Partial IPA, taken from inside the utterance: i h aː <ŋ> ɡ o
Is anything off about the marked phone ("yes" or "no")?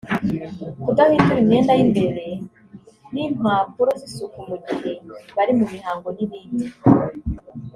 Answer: no